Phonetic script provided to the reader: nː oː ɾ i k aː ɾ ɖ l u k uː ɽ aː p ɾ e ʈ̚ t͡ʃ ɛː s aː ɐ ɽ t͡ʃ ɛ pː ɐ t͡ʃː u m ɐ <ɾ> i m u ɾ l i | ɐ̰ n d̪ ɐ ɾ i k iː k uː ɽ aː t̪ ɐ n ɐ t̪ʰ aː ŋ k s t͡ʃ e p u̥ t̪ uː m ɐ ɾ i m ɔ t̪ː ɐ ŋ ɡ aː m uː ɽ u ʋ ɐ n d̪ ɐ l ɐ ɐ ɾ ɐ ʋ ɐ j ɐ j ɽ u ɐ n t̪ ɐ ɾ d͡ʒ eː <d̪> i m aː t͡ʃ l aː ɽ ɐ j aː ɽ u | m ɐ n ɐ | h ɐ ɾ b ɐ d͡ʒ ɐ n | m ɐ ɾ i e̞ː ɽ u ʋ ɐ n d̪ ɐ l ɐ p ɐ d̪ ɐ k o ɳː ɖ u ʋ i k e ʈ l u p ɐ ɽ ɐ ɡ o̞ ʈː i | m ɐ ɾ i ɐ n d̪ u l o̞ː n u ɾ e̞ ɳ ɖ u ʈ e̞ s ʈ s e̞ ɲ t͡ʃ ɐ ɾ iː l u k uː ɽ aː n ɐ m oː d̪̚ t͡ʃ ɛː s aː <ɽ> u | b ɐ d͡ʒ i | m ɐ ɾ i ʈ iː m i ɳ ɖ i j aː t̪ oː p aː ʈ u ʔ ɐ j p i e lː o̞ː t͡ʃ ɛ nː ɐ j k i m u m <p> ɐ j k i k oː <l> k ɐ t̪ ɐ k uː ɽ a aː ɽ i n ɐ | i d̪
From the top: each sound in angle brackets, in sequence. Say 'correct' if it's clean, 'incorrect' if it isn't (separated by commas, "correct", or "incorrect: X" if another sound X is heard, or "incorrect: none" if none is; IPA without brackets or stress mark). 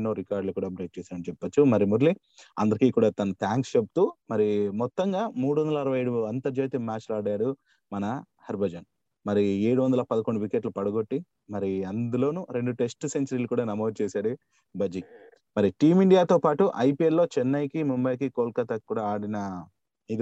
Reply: correct, incorrect: t̪, correct, incorrect: b, correct